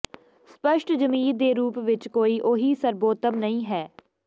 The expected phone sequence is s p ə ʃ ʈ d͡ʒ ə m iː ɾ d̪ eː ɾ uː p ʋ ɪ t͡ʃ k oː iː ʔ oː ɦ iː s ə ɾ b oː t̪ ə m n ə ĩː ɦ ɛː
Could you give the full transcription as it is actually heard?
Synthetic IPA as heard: s p ə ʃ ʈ d͡ʒ ə m iː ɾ d̪ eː ɾ uː p ʋ ɪ t͡ʃ k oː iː ʔ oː ɦ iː s ə ɾ b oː t̪ ə m n ə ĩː ɦ ɛː